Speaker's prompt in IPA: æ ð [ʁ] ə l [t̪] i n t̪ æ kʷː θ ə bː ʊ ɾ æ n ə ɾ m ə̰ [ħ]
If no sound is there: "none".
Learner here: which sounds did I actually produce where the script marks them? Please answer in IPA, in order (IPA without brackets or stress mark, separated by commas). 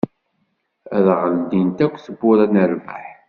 ʁ, d̪, ħ